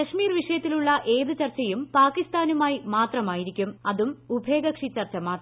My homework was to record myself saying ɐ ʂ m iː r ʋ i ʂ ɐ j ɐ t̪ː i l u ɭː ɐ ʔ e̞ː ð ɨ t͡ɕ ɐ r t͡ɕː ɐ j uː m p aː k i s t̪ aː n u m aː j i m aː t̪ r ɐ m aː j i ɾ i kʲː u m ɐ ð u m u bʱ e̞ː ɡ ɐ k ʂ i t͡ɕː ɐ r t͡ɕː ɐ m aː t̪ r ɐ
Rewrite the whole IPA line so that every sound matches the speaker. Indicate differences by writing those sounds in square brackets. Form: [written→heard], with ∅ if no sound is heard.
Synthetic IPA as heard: ɐ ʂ m iː r ʋ i ʂ ɐ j ɐ t̪ː i l u ɭː ɐ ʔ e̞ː ð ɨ t͡ɕ ɐ r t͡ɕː ɐ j [uː→u] m p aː k i s t̪ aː n u m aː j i m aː t̪ r ɐ m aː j i ɾ i kʲː u m ɐ ð u m u bʱ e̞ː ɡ ɐ k ʂ i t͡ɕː ɐ r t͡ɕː ɐ m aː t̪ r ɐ